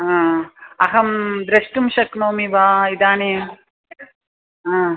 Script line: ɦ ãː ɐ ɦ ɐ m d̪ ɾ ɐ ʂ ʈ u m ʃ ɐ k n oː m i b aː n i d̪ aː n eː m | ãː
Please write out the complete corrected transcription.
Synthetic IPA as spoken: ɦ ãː ɐ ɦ ɐ m d̪ ɾ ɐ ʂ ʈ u m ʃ ɐ k n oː m i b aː i d̪ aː n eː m | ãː